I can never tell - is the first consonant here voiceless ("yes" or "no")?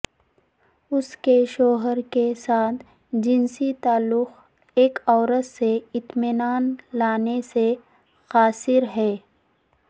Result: yes